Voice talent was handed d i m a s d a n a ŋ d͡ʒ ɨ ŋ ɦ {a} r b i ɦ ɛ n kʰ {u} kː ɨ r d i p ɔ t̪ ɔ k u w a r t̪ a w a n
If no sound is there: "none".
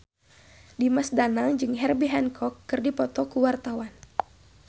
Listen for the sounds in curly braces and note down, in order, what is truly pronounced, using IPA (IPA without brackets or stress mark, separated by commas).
ɛ, ɔ